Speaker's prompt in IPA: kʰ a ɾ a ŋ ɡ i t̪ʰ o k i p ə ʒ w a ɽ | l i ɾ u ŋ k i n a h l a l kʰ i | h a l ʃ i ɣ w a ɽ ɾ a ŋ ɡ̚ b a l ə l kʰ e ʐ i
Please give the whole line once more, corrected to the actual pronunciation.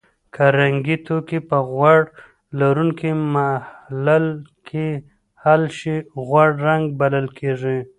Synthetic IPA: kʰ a ɾ a ŋ ɡ i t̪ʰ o k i p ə ɣ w a ɽ | l a ɾ u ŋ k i m a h l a l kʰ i | h a l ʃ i ɣ w a ɽ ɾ a ŋ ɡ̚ b a l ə l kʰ e ʐ i